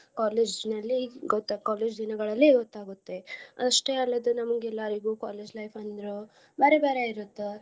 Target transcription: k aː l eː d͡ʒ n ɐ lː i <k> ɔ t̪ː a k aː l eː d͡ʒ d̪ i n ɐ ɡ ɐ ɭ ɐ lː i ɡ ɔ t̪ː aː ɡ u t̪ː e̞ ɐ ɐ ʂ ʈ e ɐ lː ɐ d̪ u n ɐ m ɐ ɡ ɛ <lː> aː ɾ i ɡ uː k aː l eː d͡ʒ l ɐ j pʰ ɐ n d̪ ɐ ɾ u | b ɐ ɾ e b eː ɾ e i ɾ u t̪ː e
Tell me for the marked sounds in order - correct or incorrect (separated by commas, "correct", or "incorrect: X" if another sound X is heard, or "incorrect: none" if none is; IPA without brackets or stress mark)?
incorrect: ɡ, correct